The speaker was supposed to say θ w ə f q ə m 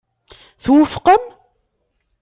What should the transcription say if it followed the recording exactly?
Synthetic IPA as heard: θ w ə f q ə m